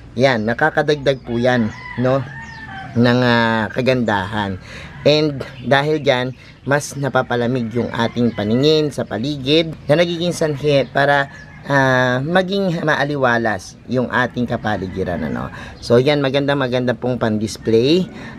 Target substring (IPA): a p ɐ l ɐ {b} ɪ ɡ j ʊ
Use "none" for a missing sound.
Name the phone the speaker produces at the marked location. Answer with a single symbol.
m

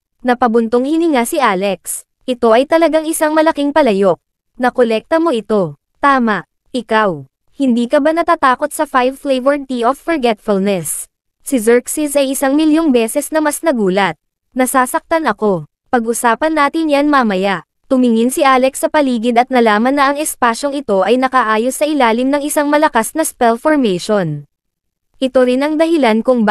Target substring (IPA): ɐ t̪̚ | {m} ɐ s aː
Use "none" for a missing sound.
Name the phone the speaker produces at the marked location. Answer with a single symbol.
n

